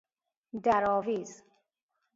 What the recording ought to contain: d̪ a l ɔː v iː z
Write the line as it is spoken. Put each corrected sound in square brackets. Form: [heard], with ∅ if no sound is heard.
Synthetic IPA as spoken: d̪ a [ɾ] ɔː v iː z